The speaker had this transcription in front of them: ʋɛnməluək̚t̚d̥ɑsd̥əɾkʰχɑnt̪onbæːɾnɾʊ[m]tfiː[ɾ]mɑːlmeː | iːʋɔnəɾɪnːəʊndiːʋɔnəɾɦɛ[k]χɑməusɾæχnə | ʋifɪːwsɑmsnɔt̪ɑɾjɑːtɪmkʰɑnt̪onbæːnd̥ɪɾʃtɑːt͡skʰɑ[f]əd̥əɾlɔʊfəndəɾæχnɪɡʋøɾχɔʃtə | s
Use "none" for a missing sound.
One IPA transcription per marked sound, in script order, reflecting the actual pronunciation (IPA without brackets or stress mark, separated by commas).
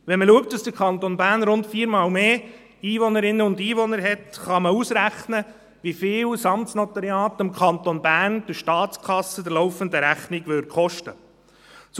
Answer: n, ɾ, t, s